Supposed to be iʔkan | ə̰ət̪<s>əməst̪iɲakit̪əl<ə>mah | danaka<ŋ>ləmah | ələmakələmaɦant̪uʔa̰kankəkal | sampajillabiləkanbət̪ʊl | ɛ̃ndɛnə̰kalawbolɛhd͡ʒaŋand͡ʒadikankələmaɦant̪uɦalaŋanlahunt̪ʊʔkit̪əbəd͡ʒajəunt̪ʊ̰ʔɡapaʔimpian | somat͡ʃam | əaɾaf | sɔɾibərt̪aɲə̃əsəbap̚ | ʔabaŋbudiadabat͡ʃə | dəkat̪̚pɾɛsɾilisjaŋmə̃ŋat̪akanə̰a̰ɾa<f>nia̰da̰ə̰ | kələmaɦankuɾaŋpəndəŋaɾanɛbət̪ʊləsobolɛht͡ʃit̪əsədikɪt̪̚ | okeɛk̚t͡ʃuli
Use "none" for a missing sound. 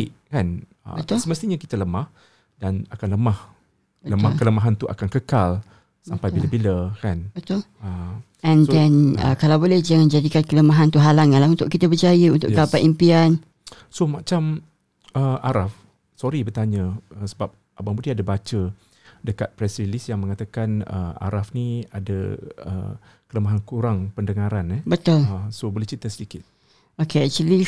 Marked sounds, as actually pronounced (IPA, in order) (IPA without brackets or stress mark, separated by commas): s, ə, n, f